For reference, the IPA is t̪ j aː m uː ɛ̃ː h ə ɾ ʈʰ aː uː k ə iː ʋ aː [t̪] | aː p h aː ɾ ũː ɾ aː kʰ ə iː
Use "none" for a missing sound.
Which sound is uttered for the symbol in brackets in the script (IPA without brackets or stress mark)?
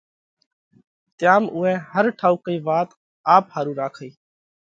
t̪